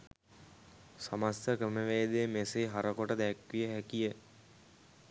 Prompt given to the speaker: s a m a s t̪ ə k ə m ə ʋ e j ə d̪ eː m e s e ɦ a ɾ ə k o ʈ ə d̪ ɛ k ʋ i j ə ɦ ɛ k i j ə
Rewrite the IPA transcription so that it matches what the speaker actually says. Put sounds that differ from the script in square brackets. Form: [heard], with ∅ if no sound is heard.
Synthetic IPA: s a m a s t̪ ə k ə m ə ʋ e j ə d̪ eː m e s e ɦ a ɾ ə k o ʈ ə d̪ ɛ k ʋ i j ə ɦ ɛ k i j ə